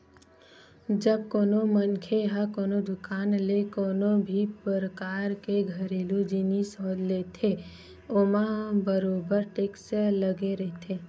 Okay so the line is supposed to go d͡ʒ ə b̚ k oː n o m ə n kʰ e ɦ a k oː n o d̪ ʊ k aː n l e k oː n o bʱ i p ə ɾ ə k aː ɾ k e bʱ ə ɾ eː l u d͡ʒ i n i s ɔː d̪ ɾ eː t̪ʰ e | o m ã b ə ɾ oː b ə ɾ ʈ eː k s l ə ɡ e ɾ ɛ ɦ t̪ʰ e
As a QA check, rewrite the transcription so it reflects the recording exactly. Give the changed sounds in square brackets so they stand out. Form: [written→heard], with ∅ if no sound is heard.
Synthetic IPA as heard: d͡ʒ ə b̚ k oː n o m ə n kʰ e ɦ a k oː n o d̪ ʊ k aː n l e k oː n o bʱ i p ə ɾ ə k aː ɾ k e [bʱ→ɡʱ] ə ɾ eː l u d͡ʒ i n i s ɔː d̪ [ɾ→l] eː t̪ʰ e | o m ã b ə ɾ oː b ə ɾ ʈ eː k s l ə ɡ e ɾ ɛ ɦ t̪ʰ e